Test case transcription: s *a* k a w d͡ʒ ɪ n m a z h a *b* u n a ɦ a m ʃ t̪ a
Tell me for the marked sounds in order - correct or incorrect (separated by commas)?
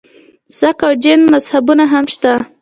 correct, correct